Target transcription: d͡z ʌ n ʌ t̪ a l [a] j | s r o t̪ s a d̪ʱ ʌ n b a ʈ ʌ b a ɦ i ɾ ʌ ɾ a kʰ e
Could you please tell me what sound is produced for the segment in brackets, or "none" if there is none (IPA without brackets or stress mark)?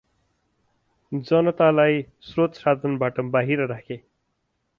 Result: a